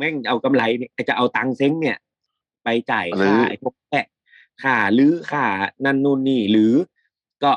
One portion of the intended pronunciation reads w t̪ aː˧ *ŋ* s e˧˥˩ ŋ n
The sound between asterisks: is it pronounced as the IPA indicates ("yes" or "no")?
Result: yes